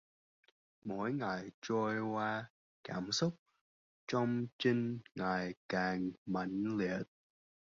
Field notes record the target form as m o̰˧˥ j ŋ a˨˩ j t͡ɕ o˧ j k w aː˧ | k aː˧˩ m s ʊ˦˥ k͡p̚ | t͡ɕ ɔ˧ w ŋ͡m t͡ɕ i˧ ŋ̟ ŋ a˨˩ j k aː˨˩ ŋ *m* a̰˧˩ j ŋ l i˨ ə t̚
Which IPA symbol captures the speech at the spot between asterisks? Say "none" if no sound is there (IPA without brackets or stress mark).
m